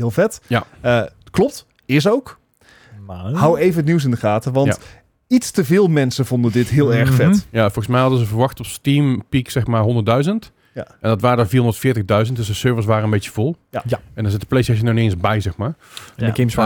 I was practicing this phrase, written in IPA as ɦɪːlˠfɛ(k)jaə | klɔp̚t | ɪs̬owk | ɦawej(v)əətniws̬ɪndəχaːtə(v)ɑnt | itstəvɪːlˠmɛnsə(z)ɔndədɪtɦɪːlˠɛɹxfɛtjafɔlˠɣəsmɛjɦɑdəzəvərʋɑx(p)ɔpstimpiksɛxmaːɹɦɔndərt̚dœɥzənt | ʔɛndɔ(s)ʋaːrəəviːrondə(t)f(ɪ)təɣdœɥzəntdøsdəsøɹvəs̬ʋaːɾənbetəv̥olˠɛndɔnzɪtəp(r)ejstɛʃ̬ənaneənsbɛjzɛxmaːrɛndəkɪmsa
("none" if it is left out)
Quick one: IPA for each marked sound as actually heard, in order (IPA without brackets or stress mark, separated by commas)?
t, v, ʋ, v, t, t, t, ɪː, l